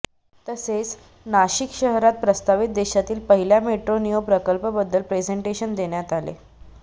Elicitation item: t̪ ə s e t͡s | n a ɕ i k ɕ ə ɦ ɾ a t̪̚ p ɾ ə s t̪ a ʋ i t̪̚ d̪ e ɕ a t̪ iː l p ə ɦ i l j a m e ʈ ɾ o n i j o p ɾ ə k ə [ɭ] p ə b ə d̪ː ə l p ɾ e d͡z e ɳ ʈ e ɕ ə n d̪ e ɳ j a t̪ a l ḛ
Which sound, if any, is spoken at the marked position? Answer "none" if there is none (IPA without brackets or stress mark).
l